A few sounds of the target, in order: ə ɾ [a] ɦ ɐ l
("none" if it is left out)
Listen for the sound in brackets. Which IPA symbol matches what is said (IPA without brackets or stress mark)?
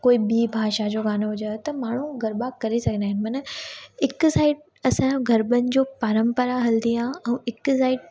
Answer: a